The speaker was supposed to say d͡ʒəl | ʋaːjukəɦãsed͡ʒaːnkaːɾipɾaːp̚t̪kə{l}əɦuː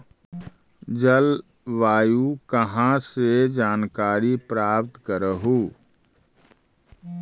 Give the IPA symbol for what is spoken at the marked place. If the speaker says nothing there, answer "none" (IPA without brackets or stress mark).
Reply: ɾ